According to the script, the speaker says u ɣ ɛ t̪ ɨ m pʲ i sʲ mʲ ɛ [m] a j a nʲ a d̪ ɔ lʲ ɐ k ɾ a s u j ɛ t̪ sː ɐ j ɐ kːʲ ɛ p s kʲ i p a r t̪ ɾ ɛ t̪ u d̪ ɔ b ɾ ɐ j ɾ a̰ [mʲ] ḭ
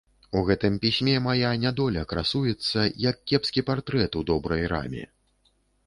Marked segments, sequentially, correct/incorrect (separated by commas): correct, correct